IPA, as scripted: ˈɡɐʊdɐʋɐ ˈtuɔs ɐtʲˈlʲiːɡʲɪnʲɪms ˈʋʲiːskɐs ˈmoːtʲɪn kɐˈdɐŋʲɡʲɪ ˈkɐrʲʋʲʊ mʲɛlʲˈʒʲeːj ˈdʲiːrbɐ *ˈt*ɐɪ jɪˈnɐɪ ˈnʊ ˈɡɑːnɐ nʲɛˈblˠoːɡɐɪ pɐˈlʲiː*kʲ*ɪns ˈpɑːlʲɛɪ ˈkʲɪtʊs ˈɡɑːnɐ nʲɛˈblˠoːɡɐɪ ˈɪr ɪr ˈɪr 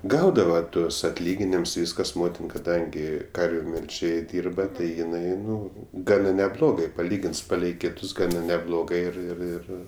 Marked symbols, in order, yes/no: yes, no

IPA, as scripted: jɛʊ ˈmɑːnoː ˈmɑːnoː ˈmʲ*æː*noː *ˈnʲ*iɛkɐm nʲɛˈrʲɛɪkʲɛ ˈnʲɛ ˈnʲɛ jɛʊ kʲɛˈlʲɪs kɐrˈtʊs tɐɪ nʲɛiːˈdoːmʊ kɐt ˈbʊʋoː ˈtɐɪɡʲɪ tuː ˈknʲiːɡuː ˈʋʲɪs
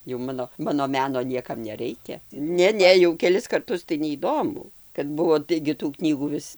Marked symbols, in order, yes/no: yes, yes

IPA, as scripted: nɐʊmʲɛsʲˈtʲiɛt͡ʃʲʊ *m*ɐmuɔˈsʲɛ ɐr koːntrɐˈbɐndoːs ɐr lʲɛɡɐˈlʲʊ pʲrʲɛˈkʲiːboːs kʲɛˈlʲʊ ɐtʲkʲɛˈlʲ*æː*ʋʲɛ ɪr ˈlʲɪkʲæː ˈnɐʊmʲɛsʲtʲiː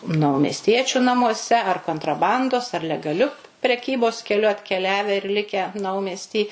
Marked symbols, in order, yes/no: no, yes

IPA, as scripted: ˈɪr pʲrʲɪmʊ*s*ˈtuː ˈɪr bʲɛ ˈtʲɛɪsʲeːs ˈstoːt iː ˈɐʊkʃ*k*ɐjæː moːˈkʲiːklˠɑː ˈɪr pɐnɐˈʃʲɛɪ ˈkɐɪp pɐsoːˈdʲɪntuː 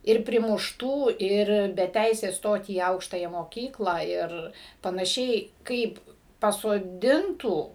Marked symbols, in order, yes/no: no, no

